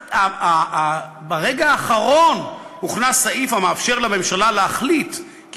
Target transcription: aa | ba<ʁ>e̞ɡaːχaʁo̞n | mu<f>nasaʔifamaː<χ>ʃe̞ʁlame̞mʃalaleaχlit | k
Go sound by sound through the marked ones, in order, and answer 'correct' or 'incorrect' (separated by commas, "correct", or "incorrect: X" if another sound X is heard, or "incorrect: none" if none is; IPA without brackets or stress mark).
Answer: correct, incorrect: χ, incorrect: f